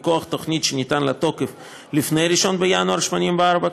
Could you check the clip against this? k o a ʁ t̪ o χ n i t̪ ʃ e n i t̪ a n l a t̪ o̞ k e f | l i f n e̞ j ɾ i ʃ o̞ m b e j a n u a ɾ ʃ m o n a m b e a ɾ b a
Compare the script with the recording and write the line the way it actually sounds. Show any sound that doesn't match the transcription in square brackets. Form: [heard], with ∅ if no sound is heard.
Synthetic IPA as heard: k o a [χ] t̪ o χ n i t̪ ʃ e n i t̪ a n l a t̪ o̞ k e f | l i f n e̞ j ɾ i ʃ o̞ [n] b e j a n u a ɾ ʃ m o n [i] m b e a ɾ b a